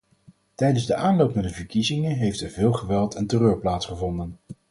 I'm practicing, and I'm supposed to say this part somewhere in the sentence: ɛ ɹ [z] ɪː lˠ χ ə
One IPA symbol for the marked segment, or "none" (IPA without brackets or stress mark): v